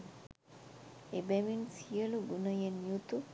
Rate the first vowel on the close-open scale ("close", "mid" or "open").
mid